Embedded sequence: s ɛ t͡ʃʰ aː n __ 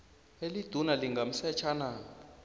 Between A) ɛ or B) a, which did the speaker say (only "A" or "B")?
B